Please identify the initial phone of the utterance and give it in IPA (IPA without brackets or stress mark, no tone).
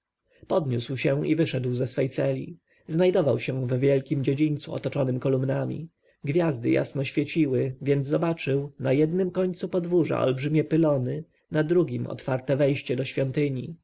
p